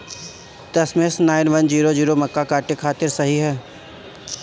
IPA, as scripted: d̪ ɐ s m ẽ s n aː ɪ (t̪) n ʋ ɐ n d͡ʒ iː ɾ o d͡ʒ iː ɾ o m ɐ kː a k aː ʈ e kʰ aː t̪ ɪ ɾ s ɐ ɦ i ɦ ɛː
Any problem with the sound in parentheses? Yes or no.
yes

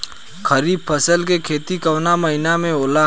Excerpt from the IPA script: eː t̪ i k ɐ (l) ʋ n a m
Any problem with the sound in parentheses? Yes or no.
yes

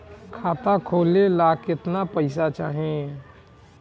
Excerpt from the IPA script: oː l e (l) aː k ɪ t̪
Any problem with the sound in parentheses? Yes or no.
no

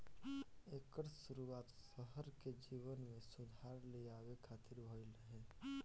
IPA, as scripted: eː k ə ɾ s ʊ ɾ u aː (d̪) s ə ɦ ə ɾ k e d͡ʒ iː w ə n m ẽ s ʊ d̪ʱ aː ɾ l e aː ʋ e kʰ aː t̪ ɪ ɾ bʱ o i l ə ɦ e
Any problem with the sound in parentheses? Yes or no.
yes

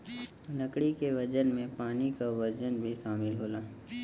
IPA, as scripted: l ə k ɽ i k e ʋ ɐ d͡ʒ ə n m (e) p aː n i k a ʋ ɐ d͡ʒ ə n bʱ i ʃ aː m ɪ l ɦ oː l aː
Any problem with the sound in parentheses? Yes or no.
yes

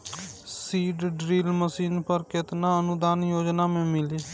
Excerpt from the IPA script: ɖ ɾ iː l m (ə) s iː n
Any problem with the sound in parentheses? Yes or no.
no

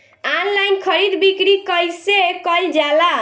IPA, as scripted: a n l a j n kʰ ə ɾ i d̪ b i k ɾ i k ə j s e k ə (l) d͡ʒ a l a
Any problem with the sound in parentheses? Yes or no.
no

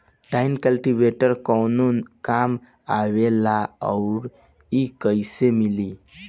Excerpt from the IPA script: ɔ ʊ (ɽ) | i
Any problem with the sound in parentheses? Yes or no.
yes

